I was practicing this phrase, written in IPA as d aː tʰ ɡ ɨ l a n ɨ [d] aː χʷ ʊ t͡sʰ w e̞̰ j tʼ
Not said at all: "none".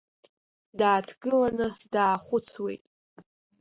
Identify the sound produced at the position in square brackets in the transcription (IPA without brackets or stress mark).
d